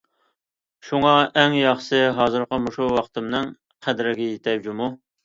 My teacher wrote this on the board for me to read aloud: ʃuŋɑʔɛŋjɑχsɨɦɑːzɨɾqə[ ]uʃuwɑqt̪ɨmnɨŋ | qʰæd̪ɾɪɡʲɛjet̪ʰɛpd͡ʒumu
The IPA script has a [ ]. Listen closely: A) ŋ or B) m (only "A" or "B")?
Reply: B